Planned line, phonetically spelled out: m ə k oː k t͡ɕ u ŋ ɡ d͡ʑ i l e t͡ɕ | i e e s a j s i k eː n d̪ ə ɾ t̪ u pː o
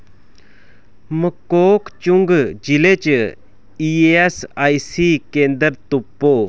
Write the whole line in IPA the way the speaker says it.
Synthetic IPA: m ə k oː k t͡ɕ u ŋ ɡ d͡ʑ i l e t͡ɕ | i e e s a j s i k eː n d̪ ə ɾ t̪ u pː o

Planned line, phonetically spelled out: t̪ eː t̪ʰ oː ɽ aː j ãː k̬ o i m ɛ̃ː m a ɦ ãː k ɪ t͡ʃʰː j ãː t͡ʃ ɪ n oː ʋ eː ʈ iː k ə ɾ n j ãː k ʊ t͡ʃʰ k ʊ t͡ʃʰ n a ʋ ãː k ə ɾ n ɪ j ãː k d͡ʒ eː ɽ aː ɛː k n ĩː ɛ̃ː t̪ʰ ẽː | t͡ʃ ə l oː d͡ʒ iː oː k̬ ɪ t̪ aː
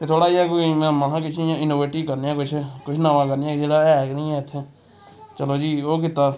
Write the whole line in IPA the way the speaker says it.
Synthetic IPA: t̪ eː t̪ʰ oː ɽ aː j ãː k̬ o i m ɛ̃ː m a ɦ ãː k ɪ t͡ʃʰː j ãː ɪ n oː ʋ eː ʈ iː k ə ɾ n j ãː k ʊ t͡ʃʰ k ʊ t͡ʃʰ n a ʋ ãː k ə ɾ n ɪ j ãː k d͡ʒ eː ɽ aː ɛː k n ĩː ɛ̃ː t̪ʰ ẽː | t͡ʃ ə l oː d͡ʒ iː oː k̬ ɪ t̪ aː

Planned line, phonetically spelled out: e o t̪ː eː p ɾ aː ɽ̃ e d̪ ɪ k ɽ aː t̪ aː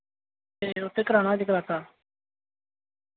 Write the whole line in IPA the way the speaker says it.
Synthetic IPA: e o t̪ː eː k ɾ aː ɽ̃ a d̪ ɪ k ɾ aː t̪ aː

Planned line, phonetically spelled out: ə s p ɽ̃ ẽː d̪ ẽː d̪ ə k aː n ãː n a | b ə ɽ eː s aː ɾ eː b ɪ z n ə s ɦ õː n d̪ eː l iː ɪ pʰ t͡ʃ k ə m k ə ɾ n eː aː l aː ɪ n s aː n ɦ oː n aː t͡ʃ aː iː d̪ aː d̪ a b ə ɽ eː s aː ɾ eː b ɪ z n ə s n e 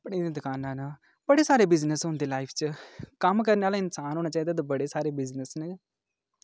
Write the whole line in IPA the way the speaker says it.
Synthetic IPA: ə p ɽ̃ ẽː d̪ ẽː d̪ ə k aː n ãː n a | b ə ɽ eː s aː ɾ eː b ɪ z n ə s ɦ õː n d̪ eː l aː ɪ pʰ t͡ʃ k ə m k ə ɾ n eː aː l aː ɪ n s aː n ɦ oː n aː t͡ʃ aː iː d̪ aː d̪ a b ə ɽ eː s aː ɾ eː b ɪ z n ə s n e

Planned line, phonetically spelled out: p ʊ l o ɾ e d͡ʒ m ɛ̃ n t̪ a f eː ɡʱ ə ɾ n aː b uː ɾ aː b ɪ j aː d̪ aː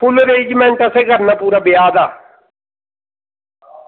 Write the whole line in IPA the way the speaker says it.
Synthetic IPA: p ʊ l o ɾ e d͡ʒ m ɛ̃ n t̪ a s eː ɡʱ ə ɾ n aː p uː ɾ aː b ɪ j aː d̪ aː

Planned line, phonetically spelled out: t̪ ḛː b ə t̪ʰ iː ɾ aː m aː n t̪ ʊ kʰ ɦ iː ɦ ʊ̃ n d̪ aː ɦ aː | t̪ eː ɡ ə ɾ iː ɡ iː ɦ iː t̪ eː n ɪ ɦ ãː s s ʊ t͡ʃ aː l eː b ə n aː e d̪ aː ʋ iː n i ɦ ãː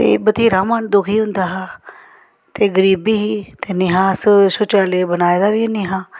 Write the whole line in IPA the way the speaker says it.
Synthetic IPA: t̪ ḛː b ə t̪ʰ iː ɾ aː m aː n d̪ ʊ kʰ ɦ iː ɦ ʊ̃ n d̪ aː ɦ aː | t̪ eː ɡ ə ɾ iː b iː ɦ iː t̪ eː n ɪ ɦ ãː s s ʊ t͡ʃ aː l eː b ə n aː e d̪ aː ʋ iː n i ɦ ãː

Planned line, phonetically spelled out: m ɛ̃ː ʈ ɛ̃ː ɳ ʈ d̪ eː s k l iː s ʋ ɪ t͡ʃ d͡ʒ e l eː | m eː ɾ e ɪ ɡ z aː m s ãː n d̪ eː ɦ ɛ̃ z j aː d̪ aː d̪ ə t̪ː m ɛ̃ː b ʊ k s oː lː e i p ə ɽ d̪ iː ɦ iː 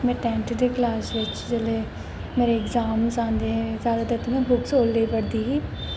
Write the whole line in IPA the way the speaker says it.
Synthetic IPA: m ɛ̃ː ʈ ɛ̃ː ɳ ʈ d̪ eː k l aː s ʋ ɪ t͡ʃ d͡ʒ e l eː | m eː ɾ e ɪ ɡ z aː m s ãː n d̪ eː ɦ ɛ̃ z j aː d̪ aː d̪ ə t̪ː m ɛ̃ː b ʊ k s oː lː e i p ə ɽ d̪ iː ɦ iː

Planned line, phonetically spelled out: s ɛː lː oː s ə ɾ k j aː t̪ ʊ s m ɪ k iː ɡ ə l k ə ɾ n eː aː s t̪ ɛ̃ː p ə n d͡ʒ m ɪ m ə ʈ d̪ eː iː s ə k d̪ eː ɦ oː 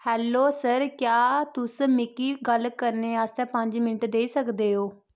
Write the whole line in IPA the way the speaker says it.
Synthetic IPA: h ɛː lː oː s ə ɾ k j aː t̪ ʊ s m ɪ k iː ɡ ə l k ə ɾ n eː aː s t̪ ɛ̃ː p ə ɲ d͡ʒ m ɪ n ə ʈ d̪ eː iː s ə k d̪ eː ɦ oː

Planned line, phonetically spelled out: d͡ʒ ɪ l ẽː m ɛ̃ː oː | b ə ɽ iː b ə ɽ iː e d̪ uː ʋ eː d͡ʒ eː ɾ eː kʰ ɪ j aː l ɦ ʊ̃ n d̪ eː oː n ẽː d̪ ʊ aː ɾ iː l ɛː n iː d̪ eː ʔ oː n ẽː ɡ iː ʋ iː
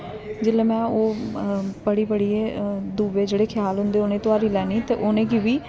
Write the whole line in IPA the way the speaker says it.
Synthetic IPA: d͡ʒ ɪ l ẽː m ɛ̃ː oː | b ə ɽ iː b ə ɽ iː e d̪ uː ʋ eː d͡ʒ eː ɽ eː kʰ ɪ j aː l ɦ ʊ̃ n d̪ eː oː n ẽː t̪ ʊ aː ɾ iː l ɛː n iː t̪ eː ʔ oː n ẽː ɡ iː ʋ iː

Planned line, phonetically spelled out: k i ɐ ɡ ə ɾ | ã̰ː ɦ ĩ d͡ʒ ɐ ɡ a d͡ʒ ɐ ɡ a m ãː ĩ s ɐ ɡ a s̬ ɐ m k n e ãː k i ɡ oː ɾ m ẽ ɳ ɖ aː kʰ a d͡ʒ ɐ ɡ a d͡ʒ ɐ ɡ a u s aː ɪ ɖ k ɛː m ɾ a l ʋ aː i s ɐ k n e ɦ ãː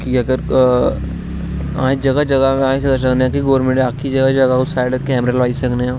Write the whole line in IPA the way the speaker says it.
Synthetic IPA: k i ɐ ɡ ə ɾ | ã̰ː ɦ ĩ d͡ʒ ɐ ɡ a d͡ʒ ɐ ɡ a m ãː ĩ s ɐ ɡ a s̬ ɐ k n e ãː k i ɡ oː ɾ m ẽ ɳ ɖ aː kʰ i d͡ʒ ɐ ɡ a d͡ʒ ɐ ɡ a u s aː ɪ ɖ k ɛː m ɾ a l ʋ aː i s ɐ k n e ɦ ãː

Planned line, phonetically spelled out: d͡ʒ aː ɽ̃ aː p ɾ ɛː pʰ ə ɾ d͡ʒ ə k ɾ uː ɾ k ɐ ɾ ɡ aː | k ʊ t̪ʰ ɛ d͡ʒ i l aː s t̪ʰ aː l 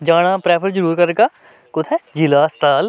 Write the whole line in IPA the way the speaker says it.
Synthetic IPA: d͡ʒ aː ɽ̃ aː p ɾ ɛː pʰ ə ɾ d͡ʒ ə ɾ uː ɾ k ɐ ɾ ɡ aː | k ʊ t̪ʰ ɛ d͡ʒ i l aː s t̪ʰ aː l

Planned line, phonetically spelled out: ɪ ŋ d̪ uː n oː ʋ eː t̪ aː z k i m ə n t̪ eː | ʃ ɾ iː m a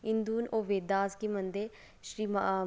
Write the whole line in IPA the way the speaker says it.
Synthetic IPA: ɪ n d̪ uː n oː ʋ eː d̪ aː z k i m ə n d̪ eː | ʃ ɾ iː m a

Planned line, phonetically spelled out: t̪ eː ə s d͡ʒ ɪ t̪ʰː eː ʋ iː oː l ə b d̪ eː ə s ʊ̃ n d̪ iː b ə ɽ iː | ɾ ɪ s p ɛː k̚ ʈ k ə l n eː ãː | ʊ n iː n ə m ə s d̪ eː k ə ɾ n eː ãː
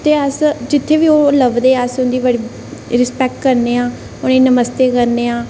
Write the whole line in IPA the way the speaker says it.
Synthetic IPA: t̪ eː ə s d͡ʒ ɪ t̪ʰː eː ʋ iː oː l ə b d̪ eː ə s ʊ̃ n d̪ iː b ə ɽ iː | ɾ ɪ s p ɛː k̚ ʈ k ə ɾ n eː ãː | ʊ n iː n ə m ə s t̪ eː k ə ɾ n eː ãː

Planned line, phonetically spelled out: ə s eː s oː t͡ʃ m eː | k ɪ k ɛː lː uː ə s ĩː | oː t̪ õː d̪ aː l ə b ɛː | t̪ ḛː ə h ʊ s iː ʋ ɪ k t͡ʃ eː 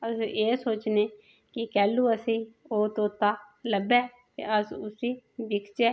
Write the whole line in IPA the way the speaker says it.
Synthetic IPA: ə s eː s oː t͡ʃ n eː | k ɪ k ɛː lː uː ə s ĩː | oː t̪ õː t̪ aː l ə b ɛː | t̪ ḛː ə s ʊ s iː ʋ ɪ k t͡ʃ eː

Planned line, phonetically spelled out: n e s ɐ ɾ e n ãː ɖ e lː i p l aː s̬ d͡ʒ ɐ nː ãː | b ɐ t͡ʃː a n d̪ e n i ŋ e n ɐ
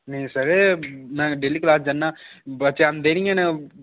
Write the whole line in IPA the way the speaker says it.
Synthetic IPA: n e s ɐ ɾ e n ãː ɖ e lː i k l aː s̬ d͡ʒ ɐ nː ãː | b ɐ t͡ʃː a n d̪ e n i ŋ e n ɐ

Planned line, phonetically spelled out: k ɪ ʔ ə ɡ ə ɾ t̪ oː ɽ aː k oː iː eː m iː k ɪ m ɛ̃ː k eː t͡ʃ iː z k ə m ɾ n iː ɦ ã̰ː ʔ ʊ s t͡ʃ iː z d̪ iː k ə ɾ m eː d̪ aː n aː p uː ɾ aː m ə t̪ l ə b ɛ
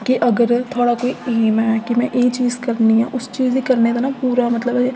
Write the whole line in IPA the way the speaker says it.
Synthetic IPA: k ɪ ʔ ə ɡ ə ɾ t̪ʰ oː ɽ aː k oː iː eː m ɛː k ɪ m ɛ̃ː ʔ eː t͡ʃ iː z k ə ɾ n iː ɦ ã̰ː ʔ ʊ s t͡ʃ iː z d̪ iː k ə ɾ n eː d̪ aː n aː p uː ɾ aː m ə t̪ l ə b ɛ

